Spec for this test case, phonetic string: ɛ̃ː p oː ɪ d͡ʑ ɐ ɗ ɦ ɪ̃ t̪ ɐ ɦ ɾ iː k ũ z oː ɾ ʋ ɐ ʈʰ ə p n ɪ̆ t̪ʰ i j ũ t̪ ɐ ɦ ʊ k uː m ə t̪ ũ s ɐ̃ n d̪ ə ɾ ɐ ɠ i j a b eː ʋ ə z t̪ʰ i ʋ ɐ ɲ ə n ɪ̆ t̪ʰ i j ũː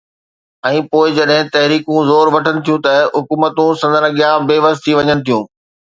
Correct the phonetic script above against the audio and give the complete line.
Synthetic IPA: ɛ̃ː p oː ɪ d͡ʑ ɐ ɗ ɦ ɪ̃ t̪ ɐ ɦ ɾ iː k ũ z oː ɾ ʋ ɐ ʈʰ ə n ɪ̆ t̪ʰ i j ũ t̪ ɐ ɦ ʊ k uː m ə t̪ ũ s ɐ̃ n d̪ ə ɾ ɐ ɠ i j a b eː ʋ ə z t̪ʰ i ʋ ɐ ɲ ə n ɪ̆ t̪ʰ i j ũː